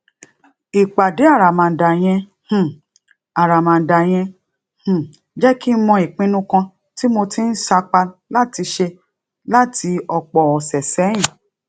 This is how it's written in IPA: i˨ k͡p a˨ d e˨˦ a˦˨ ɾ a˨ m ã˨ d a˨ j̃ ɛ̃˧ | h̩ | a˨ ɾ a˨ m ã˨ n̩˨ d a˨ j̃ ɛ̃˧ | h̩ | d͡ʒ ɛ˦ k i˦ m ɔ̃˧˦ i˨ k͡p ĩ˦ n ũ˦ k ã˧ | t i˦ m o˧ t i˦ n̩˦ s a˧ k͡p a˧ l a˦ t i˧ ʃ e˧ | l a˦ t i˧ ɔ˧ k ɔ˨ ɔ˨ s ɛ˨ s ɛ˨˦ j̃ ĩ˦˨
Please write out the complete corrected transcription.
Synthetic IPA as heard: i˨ k͡p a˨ d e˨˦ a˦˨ ɾ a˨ m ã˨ d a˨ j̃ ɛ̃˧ | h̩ | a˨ ɾ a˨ m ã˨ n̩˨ d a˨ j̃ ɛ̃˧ | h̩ | d͡ʒ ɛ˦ k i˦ m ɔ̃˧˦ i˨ k͡p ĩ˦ n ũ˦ k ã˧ | t i˦ m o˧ t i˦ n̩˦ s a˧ k͡p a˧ l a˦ t i˧ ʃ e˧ | l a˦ t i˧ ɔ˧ k͡p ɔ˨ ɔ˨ s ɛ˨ s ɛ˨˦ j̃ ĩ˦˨